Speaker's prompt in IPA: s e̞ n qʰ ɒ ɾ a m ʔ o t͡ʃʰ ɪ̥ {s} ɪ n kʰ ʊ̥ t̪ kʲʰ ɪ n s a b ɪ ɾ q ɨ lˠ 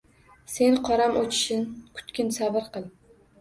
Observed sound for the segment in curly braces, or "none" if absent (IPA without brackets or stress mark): ʃ